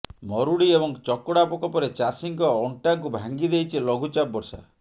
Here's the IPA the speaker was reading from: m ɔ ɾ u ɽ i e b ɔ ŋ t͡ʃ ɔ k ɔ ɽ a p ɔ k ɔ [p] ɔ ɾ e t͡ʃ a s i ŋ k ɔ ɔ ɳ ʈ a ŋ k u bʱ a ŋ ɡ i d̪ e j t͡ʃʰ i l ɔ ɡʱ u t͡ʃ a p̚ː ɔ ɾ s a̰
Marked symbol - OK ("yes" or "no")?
yes